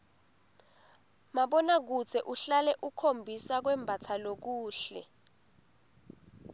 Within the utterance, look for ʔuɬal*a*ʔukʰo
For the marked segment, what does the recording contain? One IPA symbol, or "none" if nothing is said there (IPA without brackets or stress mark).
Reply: ɛ